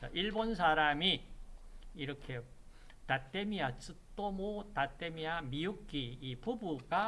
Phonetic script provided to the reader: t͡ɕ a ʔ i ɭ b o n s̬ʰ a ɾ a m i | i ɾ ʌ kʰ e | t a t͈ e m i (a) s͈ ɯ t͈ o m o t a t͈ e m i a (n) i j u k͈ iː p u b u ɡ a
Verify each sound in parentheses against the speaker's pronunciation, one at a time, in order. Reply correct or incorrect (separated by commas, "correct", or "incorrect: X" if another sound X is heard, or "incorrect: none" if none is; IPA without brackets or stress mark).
correct, incorrect: m